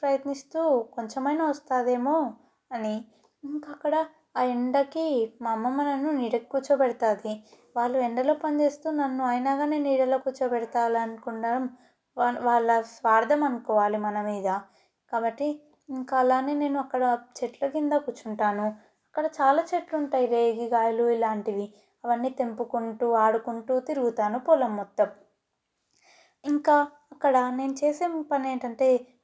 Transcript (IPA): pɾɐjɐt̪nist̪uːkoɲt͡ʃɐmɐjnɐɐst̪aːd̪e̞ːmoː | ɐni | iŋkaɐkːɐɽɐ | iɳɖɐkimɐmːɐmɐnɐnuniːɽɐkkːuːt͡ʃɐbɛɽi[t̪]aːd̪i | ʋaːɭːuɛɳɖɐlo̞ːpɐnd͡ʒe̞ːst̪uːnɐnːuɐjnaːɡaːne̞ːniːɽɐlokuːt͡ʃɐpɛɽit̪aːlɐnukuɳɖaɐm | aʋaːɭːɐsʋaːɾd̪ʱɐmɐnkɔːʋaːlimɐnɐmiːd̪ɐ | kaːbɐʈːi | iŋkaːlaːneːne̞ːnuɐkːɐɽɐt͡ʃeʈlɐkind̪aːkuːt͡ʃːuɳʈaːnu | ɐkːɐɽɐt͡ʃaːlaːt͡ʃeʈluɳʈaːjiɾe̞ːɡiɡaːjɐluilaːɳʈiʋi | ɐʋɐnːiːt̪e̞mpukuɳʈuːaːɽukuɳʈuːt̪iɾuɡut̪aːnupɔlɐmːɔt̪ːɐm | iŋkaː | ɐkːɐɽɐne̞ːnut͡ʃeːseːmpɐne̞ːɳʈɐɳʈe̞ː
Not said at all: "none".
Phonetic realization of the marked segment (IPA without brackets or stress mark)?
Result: t̪